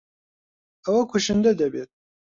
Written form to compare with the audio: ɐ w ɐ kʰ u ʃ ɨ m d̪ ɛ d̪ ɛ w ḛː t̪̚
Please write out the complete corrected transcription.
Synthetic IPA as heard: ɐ w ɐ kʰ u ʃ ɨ n d̪ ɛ d̪ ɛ b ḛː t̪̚

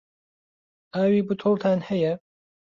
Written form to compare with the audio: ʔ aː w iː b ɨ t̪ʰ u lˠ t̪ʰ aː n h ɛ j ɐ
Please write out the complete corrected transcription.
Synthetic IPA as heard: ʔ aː w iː b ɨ t̪ʰ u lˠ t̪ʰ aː n h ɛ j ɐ

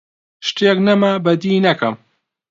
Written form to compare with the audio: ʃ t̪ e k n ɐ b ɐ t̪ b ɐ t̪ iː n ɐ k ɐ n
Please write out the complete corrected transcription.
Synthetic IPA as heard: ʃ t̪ e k n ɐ m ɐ b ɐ d̪ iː n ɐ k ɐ m

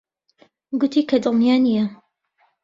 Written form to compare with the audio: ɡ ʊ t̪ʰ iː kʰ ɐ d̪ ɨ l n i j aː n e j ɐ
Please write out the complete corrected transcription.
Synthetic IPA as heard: ɡ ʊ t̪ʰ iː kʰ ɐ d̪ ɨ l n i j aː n i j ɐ

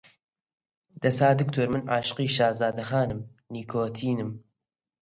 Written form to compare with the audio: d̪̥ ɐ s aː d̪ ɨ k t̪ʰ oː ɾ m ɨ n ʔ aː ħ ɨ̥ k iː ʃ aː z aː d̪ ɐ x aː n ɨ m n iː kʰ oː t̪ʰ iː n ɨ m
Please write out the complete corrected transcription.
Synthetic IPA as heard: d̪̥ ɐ s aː d̪ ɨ k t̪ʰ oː ɾ m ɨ n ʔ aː ʃ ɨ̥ q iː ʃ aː z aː d̪ ɐ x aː n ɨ m n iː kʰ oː t̪ʰ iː n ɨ m

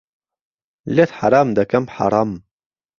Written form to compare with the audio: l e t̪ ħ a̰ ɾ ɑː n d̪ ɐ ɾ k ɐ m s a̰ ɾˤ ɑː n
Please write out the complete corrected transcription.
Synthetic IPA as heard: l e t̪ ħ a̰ ɾ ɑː m d̪ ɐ k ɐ m ħ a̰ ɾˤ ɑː m

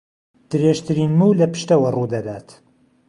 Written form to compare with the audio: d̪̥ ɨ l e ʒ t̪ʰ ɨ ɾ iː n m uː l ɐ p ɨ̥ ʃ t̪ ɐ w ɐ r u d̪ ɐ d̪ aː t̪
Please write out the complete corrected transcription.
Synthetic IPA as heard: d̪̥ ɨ ɾ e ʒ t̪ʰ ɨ ɾ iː n m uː l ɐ p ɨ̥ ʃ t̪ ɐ w ɐ r u d̪ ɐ d̪ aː t̪

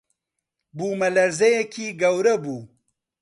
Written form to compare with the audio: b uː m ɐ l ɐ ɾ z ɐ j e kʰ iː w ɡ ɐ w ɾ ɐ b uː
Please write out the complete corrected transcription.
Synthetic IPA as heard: b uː m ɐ l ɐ ɾ z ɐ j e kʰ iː ɡ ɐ w ɾ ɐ b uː

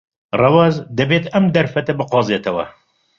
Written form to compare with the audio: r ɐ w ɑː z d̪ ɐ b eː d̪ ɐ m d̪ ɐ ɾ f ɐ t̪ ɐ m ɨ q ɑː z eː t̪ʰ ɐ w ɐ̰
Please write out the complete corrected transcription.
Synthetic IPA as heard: r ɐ w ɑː z d̪ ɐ b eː t̪ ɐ m d̪ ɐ ɾ f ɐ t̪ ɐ b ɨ q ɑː z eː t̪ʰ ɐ w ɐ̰

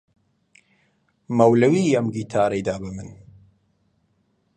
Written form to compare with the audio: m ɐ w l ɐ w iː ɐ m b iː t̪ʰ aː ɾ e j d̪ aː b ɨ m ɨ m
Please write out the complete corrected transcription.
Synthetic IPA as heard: m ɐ w l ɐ w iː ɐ m ɡ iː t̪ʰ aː ɾ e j d̪ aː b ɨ m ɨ n

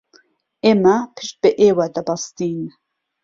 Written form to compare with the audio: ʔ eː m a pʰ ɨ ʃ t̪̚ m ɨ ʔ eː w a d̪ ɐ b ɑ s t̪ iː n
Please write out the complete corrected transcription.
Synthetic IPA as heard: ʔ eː m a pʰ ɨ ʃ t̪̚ b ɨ ʔ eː w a d̪ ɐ b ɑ s t̪ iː n

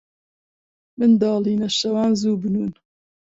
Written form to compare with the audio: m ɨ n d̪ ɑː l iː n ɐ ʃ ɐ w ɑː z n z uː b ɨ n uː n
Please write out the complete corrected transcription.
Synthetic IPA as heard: m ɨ n d̪ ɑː l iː n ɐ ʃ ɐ w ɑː n z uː b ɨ n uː n

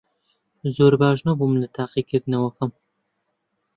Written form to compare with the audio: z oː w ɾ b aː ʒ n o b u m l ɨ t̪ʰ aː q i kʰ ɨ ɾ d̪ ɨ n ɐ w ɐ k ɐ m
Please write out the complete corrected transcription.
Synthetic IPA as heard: z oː ɾ b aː ʒ n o b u m l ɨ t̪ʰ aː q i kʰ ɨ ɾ d̪ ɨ n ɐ w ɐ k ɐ m

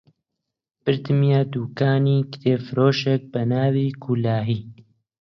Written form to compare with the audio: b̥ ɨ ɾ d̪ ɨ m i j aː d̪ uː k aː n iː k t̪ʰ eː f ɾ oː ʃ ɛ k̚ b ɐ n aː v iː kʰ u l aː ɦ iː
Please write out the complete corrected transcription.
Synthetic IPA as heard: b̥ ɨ ɾ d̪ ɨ m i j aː d̪ uː k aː n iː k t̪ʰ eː f ɾ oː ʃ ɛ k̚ b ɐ n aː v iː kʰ u l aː ɦ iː

